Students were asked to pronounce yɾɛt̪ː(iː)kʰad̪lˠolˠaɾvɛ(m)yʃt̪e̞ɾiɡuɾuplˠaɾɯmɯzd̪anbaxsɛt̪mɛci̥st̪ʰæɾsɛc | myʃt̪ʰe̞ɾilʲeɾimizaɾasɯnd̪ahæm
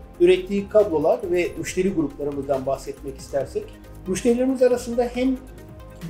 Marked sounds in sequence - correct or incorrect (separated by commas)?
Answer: correct, correct